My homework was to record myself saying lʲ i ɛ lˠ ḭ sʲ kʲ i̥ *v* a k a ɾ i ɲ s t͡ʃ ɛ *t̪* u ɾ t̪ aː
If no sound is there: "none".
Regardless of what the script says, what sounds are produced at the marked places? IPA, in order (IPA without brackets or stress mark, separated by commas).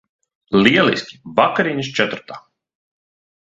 v, t̪